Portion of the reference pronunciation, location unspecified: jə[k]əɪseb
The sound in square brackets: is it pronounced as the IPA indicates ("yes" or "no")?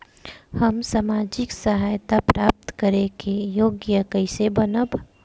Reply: yes